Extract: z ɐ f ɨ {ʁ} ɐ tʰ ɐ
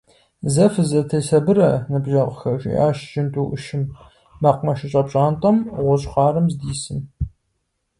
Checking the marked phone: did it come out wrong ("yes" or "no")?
yes